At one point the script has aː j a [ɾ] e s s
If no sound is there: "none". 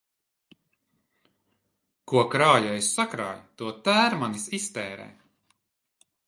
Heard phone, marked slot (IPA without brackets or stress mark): none